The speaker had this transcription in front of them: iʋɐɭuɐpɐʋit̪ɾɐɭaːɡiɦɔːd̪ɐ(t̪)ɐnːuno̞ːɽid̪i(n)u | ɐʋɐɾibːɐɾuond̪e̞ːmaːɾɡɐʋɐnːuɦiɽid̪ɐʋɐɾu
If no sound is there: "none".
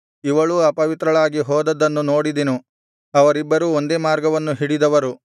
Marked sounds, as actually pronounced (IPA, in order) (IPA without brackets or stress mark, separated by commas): d̪, n